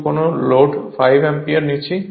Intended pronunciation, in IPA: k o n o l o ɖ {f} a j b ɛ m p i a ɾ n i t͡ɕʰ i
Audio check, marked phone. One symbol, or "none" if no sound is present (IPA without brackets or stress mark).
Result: f